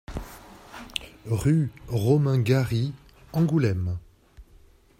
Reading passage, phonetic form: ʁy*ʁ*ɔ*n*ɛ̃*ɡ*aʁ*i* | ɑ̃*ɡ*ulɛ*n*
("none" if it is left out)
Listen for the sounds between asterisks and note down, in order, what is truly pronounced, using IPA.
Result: ʁ, m, ɡ, i, ɡ, m

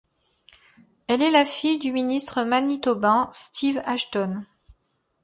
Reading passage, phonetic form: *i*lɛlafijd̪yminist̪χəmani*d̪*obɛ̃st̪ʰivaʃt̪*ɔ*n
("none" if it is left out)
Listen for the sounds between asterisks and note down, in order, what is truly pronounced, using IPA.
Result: ɛ, t̪, ɔ

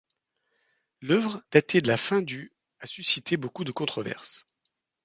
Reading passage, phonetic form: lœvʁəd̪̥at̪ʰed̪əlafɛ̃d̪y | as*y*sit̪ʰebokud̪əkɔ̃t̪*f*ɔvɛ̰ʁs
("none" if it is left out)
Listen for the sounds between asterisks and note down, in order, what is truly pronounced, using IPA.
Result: y, χ

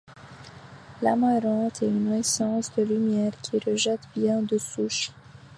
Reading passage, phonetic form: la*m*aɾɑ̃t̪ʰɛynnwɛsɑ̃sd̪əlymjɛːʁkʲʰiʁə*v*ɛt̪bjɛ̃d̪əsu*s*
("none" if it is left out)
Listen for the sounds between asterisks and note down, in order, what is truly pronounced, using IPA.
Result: m, ʒ, ʃ

